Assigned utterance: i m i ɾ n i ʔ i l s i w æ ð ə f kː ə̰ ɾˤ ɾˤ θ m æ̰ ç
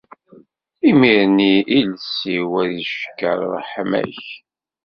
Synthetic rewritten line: i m i ɾ n i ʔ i l s i w æ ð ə ʃ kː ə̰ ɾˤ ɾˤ ħ m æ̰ ç